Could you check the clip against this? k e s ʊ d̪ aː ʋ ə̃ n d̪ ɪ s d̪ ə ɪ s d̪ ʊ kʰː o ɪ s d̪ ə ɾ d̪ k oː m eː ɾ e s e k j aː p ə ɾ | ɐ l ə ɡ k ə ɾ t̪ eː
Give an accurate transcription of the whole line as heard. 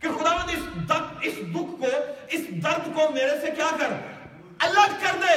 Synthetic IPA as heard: k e x ʊ d̪ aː ʋ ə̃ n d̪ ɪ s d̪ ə ɪ s d̪ ʊ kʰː o ɪ s d̪ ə ɾ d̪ k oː m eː ɾ e s e k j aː k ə ɾ | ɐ l ə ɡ k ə ɾ d̪ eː